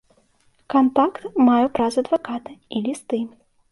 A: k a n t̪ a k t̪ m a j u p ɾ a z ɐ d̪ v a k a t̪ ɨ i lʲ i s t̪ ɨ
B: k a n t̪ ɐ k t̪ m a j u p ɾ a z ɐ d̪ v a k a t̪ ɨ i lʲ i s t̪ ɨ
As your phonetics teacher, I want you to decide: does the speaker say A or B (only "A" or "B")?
A